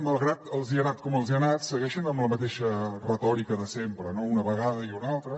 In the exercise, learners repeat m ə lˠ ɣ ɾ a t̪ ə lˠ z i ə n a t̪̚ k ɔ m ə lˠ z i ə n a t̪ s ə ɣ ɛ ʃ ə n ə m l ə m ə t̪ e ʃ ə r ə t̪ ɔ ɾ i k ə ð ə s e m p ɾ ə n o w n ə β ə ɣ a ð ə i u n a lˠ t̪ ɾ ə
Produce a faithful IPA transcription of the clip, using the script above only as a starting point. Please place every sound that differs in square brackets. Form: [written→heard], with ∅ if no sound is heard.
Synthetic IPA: m ə lˠ ɣ ɾ a t̪ ə lˠ z i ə n a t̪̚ k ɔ m ə lˠ z i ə n a t̪ s ə ɣ ɛ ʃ ə n ə m l ə m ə t̪ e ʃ ə r ə t̪ ɔ ɾ i k ə ð ə s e m p ɾ ə n o [w→u] n ə β ə ɣ a ð ə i u n a lˠ t̪ ɾ ə

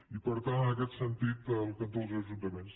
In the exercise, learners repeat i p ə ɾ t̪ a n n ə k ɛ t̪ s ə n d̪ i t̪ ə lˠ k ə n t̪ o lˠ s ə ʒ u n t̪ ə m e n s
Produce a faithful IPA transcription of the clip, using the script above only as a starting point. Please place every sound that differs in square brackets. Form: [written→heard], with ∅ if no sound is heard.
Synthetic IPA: i p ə ɾ t̪ a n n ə k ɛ t̪ s ə n [d̪→t̪] i t̪ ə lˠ k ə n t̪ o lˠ [s→z] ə ʒ u n t̪ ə m e n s

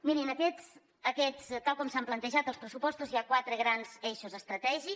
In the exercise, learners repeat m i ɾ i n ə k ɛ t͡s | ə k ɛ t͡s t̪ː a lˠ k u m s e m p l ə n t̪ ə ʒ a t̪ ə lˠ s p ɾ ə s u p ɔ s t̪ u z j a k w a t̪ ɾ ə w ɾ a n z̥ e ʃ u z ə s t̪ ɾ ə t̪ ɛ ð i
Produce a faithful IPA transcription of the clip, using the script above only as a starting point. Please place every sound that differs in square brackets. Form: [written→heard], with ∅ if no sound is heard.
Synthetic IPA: m i ɾ i n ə k ɛ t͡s | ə k ɛ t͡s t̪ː a lˠ k [u→ɔ] m s [e→a] m p l ə n t̪ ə ʒ a t̪ ə lˠ s p ɾ ə s u p ɔ s t̪ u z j a k w a t̪ ɾ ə [w→ɣ] ɾ a n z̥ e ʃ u z ə s t̪ ɾ ə t̪ ɛ [ð→ʒ] i

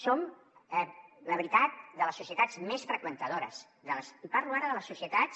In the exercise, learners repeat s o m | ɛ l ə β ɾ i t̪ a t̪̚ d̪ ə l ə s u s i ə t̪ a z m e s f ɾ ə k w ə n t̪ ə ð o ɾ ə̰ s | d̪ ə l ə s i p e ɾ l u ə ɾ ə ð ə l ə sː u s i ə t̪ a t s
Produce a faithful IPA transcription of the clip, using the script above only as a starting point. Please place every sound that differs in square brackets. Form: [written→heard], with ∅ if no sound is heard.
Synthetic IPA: s o m | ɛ l ə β ɾ i t̪ a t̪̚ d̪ ə l ə s u s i ə t̪ a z m e s f ɾ ə k w ə n t̪ ə ð o ɾ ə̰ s | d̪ ə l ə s i p [e→a] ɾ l u [ə→a] ɾ ə ð ə l ə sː u s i ə t̪ a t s

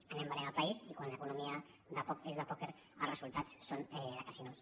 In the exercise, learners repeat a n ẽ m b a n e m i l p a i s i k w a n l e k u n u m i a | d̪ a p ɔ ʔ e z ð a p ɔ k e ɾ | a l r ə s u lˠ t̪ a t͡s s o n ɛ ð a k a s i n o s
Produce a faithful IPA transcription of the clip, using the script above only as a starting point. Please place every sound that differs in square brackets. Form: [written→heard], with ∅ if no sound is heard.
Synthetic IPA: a n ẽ m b a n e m [i→a] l p a i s i k w a n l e k u n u m i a | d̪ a p ɔ [ʔ→k] e z ð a p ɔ k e ɾ | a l r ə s u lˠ t̪ a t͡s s o n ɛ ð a k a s i n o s

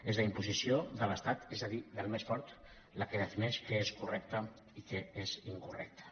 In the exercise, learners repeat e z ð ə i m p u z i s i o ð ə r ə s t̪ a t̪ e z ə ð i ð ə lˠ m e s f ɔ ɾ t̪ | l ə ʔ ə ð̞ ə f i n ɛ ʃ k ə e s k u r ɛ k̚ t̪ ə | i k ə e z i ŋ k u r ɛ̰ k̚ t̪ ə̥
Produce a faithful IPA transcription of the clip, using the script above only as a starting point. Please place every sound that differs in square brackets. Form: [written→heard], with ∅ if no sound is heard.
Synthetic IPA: e z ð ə i m p u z i s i o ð ə [r→l] ə s t̪ a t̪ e z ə ð i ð ə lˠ m e s f ɔ ɾ t̪ | l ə [ʔ→k] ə ð̞ ə f i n ɛ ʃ k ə e s k u r ɛ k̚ t̪ ə | i k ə e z i ŋ k u r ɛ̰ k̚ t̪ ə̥

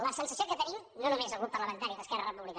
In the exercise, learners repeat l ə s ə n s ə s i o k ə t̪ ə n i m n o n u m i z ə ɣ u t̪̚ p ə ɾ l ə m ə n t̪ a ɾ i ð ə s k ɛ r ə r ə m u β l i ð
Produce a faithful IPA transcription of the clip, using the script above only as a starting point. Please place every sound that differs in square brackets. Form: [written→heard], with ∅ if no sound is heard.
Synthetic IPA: l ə s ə n s ə s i o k ə t̪ ə n i m n o n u m [i→e] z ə ɣ u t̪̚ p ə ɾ l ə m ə n t̪ a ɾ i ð ə s k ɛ r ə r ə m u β l i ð

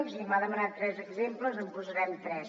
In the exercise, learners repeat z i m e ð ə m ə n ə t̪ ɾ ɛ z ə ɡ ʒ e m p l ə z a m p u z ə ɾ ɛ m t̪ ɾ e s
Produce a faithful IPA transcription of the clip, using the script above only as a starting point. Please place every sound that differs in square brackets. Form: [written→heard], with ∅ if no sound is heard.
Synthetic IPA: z i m [e→a] ð ə m ə n [ə→a] t̪ ɾ ɛ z ə ɡ [ʒ→z] e m p l ə z [a→ə] m p u z ə ɾ ɛ m t̪ ɾ [e→ɛ] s

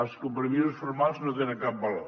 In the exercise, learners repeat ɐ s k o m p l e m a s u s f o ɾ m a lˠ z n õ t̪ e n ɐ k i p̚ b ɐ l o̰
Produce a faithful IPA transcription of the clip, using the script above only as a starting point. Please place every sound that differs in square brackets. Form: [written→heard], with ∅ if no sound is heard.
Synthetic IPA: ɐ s k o m p [l→ɾ] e m [a→i] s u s f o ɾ m a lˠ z n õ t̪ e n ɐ k [i→a] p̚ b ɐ l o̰

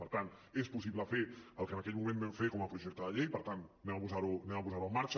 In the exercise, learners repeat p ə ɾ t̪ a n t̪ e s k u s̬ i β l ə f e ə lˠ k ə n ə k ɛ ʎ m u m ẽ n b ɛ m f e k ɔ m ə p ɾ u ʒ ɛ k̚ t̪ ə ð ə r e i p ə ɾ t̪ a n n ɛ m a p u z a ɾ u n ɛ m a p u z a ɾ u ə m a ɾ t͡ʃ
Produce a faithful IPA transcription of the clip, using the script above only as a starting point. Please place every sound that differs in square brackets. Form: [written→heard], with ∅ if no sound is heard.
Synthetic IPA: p ə ɾ t̪ a n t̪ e s [k→p] u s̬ i β l ə f e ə lˠ k ə n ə k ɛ ʎ m u m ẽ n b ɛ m f e k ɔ m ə p ɾ u ʒ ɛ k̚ t̪ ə ð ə [r→ʎ] e [i→j] p ə ɾ t̪ a n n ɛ m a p u z a ɾ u n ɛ m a p u z a ɾ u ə m a ɾ t͡ʃ

